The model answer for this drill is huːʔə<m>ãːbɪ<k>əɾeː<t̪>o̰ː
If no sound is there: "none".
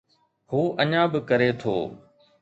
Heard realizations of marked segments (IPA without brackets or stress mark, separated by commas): ɲ, k, t̪ʰ